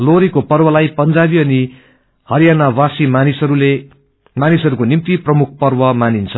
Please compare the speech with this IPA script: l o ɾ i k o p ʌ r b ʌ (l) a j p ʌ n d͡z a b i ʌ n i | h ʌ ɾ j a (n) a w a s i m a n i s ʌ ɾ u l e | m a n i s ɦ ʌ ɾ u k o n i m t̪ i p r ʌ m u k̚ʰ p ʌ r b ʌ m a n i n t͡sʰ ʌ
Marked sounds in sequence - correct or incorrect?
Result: correct, correct

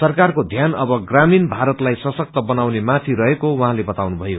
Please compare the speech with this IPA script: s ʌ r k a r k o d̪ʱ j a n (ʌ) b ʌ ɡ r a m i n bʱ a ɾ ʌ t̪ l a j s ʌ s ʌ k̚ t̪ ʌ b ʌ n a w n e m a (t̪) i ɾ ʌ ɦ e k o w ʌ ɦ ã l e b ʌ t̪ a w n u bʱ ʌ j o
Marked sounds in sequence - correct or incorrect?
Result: correct, incorrect

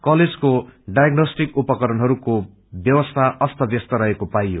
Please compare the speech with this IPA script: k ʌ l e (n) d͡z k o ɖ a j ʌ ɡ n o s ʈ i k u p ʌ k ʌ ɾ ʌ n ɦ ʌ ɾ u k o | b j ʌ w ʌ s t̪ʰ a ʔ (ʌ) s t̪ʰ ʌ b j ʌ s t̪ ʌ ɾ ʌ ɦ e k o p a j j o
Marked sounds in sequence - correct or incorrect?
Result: incorrect, correct

